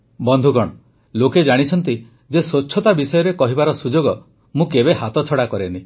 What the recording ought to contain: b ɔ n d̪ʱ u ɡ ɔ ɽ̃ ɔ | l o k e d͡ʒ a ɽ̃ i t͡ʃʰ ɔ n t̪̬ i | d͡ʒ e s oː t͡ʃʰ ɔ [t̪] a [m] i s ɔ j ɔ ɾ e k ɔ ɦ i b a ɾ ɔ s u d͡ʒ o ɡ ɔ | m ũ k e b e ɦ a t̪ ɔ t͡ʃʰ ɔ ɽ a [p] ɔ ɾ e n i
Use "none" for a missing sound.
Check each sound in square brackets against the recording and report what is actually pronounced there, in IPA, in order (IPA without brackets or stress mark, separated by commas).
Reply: t̪, b, k